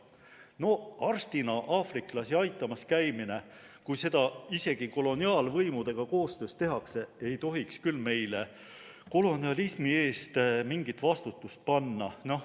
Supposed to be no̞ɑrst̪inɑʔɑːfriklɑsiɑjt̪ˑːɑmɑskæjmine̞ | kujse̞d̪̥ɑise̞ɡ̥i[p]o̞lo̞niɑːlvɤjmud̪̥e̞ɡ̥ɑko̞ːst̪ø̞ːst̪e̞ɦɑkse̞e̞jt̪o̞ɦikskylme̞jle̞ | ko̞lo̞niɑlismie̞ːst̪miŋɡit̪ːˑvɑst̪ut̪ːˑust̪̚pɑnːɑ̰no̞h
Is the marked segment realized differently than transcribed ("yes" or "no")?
yes